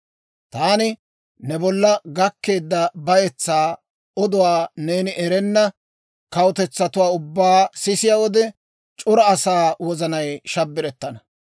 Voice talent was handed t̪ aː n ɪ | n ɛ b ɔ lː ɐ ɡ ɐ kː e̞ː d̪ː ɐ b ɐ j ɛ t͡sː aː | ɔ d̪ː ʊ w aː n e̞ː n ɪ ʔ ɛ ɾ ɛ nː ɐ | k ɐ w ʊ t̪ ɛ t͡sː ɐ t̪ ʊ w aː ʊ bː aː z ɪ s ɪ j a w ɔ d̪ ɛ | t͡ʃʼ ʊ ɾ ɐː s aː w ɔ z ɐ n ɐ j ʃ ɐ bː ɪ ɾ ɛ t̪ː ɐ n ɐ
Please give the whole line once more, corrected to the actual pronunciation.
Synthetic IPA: t̪ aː n ɪ | n ɛ b ɔ lː ɐ ɡ ɐ kː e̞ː d̪ː ɐ b ɐ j ɛ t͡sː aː | ɔ d̪ ʊ w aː n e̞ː n ɪ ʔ ɛ ɾ ɛ nː ɐ | k ɐ w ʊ t̪ ɛ t͡sː ɐ t̪ ʊ w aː ʊ bː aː s ɪ s ɪ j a w ɔ d̪ ɛ | t͡ʃʼ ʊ ɾ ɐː s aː w ɔ z ɐ n ɐ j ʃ ɐ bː ɪ ɾ ɛ t̪ː ɐ n ɐ